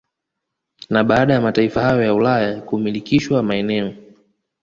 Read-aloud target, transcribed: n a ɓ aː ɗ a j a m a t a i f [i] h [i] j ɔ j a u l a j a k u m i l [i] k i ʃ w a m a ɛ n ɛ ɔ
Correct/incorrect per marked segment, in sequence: incorrect: a, incorrect: a, correct

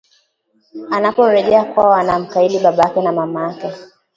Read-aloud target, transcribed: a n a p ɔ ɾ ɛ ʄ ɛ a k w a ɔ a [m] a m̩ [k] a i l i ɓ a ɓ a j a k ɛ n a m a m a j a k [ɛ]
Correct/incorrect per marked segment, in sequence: incorrect: n, correct, correct

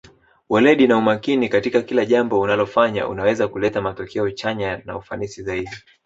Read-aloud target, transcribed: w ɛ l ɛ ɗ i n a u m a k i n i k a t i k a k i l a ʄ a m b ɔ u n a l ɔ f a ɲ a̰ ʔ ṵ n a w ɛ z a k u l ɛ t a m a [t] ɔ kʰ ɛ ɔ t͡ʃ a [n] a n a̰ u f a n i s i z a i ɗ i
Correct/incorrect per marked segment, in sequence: correct, incorrect: ɲ

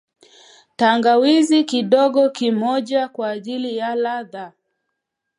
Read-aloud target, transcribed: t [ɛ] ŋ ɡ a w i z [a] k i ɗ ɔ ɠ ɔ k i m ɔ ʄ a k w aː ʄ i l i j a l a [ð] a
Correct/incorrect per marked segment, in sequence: incorrect: a, incorrect: i, correct

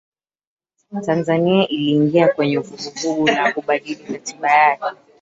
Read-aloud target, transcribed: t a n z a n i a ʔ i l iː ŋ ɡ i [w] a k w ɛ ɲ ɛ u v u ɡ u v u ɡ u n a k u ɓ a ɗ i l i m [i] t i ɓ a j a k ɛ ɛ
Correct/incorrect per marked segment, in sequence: incorrect: none, incorrect: a

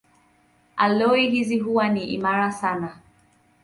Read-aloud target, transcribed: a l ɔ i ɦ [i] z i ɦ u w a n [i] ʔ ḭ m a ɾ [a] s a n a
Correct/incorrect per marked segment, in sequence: correct, correct, correct

